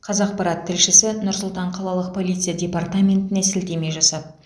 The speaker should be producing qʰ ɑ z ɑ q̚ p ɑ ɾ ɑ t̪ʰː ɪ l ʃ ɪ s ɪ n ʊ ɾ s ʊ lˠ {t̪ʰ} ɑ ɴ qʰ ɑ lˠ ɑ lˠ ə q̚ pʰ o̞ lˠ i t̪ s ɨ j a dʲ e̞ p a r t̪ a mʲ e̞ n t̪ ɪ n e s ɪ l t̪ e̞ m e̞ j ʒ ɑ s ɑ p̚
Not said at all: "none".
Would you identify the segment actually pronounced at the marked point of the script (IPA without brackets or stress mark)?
t̪